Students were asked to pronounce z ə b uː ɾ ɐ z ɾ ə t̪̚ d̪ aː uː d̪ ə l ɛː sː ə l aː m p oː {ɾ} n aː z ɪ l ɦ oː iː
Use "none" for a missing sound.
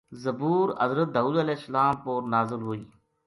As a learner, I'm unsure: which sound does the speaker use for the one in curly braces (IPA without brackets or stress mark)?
ɾ